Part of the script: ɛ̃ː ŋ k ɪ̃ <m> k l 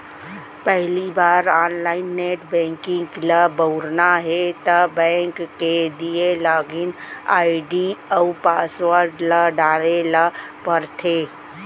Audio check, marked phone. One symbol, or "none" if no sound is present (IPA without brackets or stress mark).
ŋ